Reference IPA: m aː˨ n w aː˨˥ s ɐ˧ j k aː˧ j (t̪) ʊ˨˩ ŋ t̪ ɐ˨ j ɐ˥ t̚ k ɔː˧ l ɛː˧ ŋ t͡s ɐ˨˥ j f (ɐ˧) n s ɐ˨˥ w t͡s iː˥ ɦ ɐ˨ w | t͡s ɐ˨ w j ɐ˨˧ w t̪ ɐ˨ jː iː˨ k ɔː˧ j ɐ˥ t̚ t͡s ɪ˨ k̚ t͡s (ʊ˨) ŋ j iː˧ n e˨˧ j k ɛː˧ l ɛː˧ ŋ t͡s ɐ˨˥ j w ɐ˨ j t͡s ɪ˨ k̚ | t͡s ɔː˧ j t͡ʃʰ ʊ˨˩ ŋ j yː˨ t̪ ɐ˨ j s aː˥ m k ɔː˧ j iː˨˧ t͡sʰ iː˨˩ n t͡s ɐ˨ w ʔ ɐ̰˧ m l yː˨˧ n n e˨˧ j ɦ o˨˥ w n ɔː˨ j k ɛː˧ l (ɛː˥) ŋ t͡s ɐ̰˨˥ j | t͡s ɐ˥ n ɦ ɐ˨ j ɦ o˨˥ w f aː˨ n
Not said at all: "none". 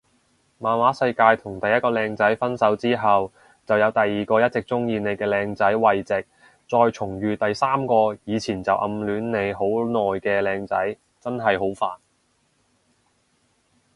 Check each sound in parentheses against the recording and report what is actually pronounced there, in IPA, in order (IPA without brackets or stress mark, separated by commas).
t̪ʰ, ɐ˥, ʊ˥, ɛː˧